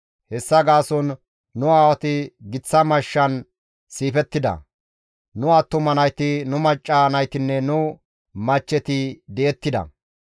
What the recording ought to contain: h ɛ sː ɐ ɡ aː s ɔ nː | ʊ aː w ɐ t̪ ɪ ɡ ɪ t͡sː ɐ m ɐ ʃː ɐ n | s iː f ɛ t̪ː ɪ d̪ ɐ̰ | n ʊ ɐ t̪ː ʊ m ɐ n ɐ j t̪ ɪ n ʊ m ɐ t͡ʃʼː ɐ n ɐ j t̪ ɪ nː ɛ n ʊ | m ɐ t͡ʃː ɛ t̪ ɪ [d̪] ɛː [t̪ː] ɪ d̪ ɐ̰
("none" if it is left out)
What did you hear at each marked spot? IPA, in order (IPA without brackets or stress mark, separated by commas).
d̪, t̪ː